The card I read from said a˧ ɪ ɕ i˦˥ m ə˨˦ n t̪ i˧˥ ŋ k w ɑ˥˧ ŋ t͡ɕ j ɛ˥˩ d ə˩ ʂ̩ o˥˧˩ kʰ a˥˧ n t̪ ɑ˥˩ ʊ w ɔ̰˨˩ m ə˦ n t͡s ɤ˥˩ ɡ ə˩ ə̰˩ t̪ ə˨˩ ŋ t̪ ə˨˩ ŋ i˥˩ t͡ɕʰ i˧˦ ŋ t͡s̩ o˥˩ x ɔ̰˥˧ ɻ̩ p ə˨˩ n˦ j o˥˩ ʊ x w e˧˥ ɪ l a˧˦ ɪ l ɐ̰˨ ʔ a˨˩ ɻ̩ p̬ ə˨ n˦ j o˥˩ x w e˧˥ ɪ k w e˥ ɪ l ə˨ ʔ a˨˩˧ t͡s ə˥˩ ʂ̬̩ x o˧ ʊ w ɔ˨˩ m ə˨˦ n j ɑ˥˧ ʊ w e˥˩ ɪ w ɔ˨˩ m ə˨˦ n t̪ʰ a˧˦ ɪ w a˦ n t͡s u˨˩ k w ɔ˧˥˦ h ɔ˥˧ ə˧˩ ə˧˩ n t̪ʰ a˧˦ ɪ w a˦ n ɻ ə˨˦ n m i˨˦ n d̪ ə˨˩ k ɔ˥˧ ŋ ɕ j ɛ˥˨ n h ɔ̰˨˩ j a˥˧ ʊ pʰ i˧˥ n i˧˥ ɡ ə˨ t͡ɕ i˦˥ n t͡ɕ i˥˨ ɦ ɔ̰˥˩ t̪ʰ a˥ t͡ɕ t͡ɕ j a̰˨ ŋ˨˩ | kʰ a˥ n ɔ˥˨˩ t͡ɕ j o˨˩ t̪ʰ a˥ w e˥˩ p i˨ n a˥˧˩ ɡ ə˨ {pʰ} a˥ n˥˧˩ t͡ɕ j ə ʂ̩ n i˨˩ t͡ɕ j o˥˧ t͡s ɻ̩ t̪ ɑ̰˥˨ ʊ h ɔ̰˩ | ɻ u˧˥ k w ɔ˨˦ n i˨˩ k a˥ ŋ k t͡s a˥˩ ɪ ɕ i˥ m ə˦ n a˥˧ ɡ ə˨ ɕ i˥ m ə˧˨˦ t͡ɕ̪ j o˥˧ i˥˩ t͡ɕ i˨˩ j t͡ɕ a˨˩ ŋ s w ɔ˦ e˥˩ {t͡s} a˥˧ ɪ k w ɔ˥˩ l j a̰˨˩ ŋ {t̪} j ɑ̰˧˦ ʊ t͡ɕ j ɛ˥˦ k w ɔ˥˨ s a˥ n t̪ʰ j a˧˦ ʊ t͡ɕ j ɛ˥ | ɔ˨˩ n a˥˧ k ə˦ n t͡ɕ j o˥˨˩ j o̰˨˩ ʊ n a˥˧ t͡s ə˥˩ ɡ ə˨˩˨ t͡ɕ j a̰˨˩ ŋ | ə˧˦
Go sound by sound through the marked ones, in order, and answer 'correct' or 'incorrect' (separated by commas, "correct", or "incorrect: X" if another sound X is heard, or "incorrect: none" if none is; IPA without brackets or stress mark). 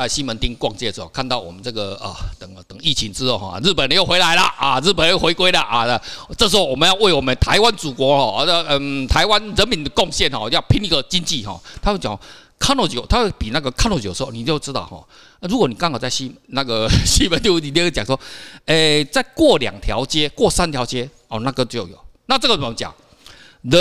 incorrect: kʰ, correct, incorrect: t̪ʰ